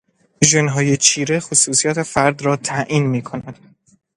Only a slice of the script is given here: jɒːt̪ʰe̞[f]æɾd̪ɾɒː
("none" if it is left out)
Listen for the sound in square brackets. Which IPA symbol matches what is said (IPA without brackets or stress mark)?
f